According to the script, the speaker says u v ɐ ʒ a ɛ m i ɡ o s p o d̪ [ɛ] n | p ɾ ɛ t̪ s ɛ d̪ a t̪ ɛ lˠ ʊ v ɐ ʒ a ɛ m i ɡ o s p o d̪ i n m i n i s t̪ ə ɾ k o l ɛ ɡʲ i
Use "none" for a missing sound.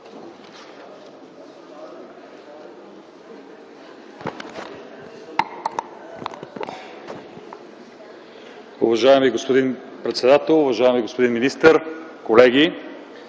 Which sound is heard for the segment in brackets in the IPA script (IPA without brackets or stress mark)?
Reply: i